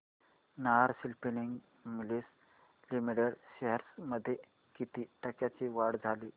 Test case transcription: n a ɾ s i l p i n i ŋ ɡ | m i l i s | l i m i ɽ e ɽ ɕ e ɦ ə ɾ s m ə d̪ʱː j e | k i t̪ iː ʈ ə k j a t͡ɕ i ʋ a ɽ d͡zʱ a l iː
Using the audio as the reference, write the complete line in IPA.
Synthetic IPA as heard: n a ɾ s i l p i n i ŋ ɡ | m i l i s | l i m i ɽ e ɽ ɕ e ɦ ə ɾ s m ə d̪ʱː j e | k i t̪ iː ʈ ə k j a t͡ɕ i ʋ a ɽ d͡zʱ a l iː

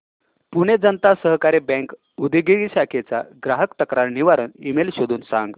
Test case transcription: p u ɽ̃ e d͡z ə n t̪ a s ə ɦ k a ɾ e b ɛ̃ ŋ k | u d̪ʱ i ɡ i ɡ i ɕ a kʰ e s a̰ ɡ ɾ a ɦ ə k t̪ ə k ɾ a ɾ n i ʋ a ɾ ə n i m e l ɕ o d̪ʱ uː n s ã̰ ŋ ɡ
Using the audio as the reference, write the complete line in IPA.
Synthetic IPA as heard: p u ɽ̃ e d͡z ə n t̪ a s ə ɦ k a ɾ e b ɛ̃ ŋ k | u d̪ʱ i ɡ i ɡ i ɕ a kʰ e t͡s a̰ ɡ ɾ a ɦ ə k t̪ ə k ɾ a ɾ n i ʋ a ɾ ə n i m e l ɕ o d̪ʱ uː n s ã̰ ŋ ɡ

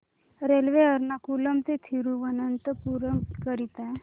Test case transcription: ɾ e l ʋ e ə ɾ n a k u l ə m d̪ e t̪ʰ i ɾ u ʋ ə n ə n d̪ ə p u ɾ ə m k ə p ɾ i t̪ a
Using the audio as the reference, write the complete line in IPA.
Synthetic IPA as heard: ɾ e l ʋ e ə ɾ n a k u l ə m t̪ e t̪ʰ i ɾ u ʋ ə n ə n t̪ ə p u ɾ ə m k ə ɾ i t̪ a

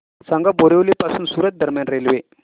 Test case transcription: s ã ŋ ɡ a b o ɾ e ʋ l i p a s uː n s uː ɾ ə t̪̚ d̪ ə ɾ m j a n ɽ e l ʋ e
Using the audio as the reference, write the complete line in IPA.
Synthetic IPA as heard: s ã ŋ ɡ a b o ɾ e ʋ l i p a s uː n s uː ɾ ə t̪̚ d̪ ə ɾ m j a n ɾ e l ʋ e

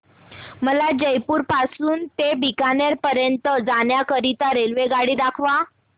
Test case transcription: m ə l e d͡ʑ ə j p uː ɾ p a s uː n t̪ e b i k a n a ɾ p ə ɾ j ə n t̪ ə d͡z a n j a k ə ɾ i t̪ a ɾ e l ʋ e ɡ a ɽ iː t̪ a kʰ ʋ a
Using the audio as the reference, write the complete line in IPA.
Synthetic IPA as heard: m ə l a d͡ʑ ə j p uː ɾ p a s uː n t̪ e b i k a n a ɾ p ə ɾ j ə n t̪ ə d͡z a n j a k ə ɾ i t̪ a ɾ e l ʋ e ɡ a ɽ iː d̪ a kʰ ʋ a

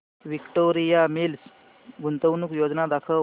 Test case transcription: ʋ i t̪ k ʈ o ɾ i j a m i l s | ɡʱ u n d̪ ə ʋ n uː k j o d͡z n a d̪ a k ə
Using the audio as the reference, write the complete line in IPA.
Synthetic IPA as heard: ʋ i k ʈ o ɾ i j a m i l s | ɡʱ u n t̪ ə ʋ n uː k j o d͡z n a d̪ a kʰ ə

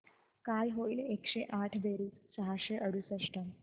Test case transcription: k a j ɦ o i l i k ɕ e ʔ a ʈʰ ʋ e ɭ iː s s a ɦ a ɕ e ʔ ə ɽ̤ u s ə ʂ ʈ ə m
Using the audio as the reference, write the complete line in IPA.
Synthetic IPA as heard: k a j ɦ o i l e k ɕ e ʔ a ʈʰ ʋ e ɾ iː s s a ɦ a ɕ e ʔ ə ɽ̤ u s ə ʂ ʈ ə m

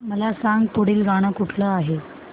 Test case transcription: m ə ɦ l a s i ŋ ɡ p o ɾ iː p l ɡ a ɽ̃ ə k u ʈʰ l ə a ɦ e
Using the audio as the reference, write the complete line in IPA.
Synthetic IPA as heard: m ə l a s a ŋ ɡ p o ɽ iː l ɡ a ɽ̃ ə k u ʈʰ l ə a ɦ e

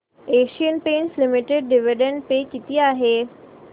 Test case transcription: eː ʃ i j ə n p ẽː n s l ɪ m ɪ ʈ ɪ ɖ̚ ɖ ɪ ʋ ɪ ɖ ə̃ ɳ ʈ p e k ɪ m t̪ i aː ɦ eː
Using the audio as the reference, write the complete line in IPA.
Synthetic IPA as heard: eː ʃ i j ə n p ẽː n s l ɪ m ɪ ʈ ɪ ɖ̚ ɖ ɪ ʋ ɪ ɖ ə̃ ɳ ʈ p e k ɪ t̪ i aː ɦ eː

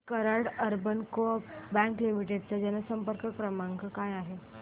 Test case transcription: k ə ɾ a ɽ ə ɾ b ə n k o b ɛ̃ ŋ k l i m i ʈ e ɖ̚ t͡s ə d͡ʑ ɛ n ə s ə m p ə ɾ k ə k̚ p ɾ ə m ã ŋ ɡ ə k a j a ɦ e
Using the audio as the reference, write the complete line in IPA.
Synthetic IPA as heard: k ə ɾ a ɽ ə ɾ b ə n k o b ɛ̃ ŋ k l i m i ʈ e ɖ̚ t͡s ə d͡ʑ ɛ n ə s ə m p ə ɾ k ə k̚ p ɾ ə m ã ŋ ɡ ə k a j a ɦ e

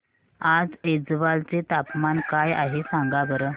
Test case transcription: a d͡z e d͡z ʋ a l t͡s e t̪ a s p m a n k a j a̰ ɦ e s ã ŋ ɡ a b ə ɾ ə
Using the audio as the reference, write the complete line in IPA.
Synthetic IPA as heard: a d͡z e d͡z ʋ a l t͡s e t̪ a p m a n k a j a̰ ɦ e s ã ŋ ɡ a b ə ɾ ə

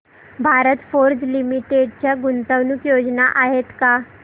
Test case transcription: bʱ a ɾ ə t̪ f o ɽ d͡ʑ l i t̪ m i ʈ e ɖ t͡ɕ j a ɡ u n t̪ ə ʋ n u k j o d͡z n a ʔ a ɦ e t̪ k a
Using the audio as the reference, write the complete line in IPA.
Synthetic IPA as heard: bʱ a ɾ ə t̪ f o ɾ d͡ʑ l i m i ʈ e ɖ t͡ɕ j a ɡ u n t̪ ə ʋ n u k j o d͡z n a ʔ a ɦ e t̪ k a

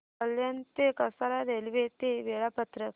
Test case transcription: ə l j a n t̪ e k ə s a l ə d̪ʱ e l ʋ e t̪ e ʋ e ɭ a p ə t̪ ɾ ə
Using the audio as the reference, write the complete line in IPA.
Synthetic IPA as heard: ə l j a n t̪ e k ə s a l a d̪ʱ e l ʋ e t̪ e ʋ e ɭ a p ə t̪ ɾ ə

